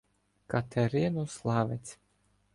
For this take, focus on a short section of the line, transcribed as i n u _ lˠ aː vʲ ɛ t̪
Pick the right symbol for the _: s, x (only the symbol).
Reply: s